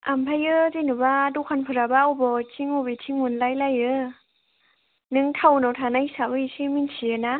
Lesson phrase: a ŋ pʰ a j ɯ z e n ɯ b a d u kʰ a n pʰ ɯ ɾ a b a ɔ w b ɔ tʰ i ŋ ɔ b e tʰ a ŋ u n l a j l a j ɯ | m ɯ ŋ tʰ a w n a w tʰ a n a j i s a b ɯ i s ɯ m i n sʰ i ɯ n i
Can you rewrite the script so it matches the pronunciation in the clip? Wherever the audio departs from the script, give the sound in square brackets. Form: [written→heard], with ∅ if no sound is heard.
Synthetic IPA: a [ŋ→m] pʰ a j ɯ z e n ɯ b a d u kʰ a n pʰ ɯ ɾ a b a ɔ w b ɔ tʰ i ŋ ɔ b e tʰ [a→i] ŋ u n l a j l a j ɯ | [m→n] ɯ ŋ tʰ a w n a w tʰ a n a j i s a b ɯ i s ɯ m i n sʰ i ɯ n [i→a]